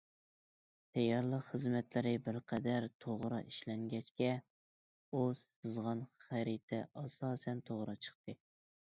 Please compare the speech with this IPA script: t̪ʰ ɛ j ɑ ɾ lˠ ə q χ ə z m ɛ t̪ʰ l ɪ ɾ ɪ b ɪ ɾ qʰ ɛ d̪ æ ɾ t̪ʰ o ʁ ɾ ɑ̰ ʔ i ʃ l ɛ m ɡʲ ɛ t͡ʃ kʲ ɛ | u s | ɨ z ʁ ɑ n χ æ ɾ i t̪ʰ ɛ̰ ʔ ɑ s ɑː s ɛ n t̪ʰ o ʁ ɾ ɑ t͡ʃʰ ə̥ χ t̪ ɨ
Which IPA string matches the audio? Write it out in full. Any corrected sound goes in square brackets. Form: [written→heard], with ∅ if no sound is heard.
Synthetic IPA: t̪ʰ ɛ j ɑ ɾ lˠ ə q χ ə z m ɛ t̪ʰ l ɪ ɾ ɪ b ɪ ɾ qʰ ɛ d̪ æ ɾ t̪ʰ o ʁ ɾ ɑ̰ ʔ i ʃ l ɛ [m→ŋ] ɡʲ ɛ t͡ʃ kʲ ɛ | u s | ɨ z ʁ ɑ n χ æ ɾ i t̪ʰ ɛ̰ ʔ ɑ s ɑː s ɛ n t̪ʰ o ʁ ɾ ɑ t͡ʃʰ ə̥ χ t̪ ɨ

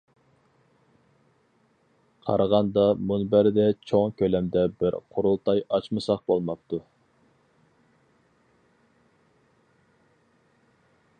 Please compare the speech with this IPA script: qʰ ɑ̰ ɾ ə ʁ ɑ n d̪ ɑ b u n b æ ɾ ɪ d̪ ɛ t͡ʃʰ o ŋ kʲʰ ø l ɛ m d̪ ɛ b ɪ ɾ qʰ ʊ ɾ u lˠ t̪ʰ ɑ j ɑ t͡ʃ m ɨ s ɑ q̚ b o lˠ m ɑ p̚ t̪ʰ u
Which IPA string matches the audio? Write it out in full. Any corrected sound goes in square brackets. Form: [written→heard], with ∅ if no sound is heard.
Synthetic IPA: qʰ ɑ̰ ɾ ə ʁ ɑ n d̪ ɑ [b→m] u n b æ ɾ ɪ d̪ ɛ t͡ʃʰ o ŋ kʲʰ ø l ɛ m d̪ ɛ b ɪ ɾ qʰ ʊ ɾ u lˠ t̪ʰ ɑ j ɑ t͡ʃ m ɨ s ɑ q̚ b o lˠ m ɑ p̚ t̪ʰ u

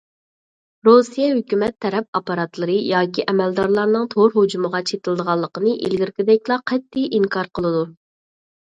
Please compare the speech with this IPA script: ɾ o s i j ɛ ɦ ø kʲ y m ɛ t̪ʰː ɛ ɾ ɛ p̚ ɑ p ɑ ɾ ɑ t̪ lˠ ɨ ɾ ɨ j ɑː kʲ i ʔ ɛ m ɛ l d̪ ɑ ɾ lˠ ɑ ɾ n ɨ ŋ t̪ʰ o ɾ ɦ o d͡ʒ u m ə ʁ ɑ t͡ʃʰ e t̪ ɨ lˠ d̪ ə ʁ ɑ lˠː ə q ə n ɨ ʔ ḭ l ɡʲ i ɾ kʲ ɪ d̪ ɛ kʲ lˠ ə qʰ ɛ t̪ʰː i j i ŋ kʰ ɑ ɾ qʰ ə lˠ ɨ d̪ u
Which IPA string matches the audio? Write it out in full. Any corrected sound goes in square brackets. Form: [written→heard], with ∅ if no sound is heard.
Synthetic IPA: ɾ o s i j ɛ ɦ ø kʲ y m ɛ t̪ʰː ɛ ɾ ɛ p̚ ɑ p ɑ ɾ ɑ t̪ lˠ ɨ ɾ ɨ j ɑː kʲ i ʔ ɛ m ɛ l d̪ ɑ ɾ lˠ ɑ ɾ n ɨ ŋ t̪ʰ o ɾ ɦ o d͡ʒ u m ə ʁ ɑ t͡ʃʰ e t̪ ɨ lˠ d̪ ə ʁ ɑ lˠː ə q ə n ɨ ʔ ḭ l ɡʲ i ɾ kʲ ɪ d̪ ɛ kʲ lˠ [ə→ɑ] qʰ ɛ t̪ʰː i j i ŋ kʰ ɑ ɾ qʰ ə lˠ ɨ d̪ u

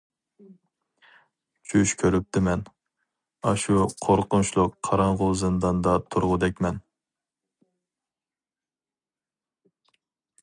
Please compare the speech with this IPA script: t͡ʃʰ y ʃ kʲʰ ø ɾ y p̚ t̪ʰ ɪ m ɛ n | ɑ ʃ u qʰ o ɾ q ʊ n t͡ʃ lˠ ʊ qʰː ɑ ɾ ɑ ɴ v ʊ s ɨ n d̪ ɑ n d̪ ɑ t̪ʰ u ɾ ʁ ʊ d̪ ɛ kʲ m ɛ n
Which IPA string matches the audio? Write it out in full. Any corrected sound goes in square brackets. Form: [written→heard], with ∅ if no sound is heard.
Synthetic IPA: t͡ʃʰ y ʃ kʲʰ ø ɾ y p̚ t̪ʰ ɪ m ɛ n | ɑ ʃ u qʰ o ɾ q ʊ n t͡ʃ lˠ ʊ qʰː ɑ ɾ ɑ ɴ [v→ʁ] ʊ [s→z] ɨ n d̪ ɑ n d̪ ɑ t̪ʰ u ɾ ʁ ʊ d̪ ɛ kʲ m ɛ n

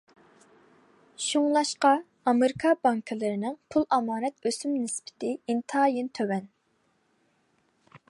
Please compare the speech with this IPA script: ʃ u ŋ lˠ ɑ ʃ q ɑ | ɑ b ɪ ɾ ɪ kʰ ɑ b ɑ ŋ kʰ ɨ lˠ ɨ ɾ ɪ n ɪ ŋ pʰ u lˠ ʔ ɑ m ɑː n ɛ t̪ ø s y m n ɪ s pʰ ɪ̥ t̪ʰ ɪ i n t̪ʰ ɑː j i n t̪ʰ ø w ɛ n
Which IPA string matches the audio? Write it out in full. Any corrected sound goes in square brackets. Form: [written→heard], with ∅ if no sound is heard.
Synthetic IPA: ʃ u ŋ lˠ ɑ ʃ q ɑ | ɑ [b→m] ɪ ɾ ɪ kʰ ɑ b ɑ ŋ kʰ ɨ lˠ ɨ ɾ ɪ n ɪ ŋ pʰ u lˠ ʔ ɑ m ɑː n ɛ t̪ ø s y m n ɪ s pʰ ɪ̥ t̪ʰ ɪ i n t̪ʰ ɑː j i n t̪ʰ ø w ɛ n

